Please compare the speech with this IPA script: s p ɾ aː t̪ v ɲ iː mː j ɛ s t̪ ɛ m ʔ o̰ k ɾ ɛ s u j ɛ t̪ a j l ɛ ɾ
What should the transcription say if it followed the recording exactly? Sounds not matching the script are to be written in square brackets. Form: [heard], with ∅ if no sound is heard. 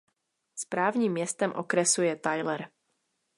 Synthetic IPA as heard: s p ɾ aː [∅] v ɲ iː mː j ɛ s t̪ ɛ m ʔ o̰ k ɾ ɛ s u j ɛ t̪ a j l ɛ ɾ